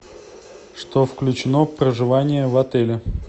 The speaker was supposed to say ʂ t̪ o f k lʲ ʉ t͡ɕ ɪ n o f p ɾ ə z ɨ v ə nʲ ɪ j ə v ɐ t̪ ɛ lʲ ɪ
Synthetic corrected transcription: ʂ t̪ o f k lʲ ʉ t͡ɕ ɪ n o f p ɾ ə ʐ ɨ v a nʲ ɪ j ə v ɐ t̪ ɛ lʲ ɪ